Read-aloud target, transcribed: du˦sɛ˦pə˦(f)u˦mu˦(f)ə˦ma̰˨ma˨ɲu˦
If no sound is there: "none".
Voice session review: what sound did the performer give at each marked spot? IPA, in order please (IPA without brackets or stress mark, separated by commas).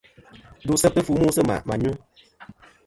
f, s